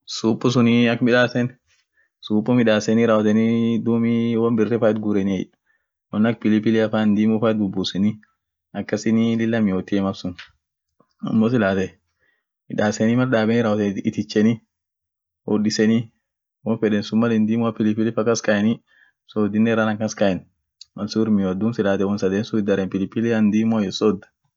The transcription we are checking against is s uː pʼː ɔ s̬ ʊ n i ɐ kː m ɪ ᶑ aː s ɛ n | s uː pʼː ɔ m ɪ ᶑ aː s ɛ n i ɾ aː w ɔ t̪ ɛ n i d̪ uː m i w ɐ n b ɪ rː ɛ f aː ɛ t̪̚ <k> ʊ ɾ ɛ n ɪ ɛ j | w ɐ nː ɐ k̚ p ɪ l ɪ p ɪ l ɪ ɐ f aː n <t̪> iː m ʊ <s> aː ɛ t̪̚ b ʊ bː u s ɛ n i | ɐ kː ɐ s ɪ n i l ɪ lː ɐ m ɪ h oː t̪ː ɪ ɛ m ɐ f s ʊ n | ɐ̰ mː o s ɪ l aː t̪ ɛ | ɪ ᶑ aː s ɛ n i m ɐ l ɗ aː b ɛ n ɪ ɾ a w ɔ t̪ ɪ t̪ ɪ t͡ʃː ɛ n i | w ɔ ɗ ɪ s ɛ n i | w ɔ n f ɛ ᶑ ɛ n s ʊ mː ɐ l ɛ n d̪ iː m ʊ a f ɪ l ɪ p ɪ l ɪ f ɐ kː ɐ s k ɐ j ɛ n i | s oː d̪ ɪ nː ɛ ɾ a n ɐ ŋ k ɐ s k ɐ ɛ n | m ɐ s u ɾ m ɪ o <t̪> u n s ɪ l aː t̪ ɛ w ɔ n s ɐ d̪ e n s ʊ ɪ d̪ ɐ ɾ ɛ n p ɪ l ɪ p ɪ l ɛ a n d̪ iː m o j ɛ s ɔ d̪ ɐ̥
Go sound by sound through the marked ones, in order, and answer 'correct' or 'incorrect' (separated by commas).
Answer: incorrect, incorrect, incorrect, incorrect